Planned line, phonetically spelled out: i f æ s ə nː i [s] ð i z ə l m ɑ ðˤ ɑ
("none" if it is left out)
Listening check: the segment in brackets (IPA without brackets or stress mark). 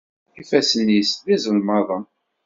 s